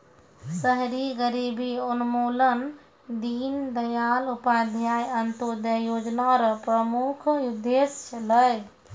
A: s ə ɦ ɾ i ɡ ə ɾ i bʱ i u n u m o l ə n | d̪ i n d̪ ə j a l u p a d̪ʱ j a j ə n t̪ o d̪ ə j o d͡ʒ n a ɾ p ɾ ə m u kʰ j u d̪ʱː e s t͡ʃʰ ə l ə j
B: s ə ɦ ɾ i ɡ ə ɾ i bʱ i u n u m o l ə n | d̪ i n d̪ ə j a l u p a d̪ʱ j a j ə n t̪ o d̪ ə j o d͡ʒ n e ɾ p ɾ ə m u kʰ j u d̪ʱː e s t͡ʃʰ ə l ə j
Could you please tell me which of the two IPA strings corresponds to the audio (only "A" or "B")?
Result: A